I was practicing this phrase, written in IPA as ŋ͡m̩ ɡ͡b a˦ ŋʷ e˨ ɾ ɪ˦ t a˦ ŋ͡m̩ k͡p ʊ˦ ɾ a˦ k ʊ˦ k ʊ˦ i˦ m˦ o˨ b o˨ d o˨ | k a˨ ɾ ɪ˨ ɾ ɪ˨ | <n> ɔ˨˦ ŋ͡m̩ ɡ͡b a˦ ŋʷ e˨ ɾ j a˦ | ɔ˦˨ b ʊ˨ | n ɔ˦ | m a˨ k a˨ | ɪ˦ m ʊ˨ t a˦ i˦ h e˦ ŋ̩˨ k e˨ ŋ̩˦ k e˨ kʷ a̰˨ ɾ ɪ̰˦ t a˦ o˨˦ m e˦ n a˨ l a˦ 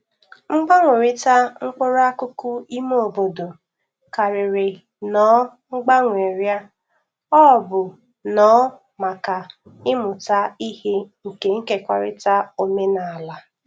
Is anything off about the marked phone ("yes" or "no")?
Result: no